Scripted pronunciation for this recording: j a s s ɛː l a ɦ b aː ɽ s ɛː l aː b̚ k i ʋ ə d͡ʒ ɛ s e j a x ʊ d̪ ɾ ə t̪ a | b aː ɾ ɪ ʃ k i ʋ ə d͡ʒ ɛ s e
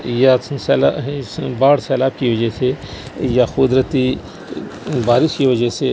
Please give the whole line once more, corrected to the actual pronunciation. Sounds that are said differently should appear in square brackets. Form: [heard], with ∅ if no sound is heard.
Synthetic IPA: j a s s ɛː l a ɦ b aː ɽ s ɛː l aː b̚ k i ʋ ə d͡ʒ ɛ s e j a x ʊ d̪ ɾ ə t̪ [i] | b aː ɾ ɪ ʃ k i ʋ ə d͡ʒ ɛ s e